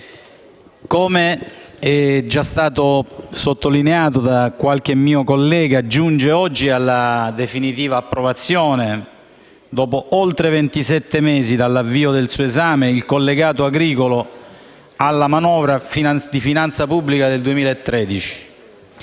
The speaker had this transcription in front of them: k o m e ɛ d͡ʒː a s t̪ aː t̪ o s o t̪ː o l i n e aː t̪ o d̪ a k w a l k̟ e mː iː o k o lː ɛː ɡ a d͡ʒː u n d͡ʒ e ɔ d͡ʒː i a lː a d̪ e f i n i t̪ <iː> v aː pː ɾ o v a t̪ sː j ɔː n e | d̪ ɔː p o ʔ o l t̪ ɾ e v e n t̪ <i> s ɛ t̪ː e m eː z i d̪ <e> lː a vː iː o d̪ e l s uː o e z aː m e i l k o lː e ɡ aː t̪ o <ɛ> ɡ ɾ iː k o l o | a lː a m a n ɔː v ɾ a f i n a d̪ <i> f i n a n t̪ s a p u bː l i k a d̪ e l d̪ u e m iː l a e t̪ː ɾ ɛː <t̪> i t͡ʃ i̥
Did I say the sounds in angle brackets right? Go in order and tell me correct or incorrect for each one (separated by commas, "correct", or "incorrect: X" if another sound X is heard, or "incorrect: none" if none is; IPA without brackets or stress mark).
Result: correct, correct, incorrect: a, incorrect: a, correct, incorrect: d̪